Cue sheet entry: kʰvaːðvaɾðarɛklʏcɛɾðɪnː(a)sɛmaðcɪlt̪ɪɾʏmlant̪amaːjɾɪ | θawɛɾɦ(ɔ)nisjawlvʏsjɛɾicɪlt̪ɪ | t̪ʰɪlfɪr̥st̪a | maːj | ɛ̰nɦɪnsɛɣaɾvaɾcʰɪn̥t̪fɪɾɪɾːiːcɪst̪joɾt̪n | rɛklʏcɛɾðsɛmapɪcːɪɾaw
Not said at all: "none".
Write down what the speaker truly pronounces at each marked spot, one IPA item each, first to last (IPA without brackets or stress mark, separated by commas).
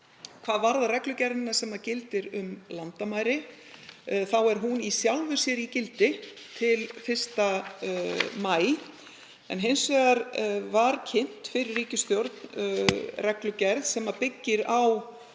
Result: a, u